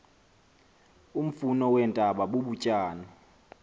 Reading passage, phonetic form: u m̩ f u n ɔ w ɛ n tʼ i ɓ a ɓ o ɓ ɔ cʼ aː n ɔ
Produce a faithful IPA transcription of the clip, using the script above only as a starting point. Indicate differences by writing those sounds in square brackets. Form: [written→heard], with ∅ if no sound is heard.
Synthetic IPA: u m̩ f u n ɔ w ɛ n tʼ [i→a] ɓ a ɓ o ɓ [ɔ→u] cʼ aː n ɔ